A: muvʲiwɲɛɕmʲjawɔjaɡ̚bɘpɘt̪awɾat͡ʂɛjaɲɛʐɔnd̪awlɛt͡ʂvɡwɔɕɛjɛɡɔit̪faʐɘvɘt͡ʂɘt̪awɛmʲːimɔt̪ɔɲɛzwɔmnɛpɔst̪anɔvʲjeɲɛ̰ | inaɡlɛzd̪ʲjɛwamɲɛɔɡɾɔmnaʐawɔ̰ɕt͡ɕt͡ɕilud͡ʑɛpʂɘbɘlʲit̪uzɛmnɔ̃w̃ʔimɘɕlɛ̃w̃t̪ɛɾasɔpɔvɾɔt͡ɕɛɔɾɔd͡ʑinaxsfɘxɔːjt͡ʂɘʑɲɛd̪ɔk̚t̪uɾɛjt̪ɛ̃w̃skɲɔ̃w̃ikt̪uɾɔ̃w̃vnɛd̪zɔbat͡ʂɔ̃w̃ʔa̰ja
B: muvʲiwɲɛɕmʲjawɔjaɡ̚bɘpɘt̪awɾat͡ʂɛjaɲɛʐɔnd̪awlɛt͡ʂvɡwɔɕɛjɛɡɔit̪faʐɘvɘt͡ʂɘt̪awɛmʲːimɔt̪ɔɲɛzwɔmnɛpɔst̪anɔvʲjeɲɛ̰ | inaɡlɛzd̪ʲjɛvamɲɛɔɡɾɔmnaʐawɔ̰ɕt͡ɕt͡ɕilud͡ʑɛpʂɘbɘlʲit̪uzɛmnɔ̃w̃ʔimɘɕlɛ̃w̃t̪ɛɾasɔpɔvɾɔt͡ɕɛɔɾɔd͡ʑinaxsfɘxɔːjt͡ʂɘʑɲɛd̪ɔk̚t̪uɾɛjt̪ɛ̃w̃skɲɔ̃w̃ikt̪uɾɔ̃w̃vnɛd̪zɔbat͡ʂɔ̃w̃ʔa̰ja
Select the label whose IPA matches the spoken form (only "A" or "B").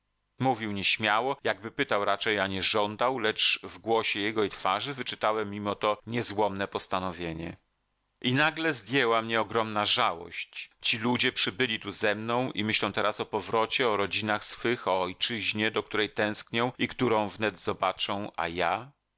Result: A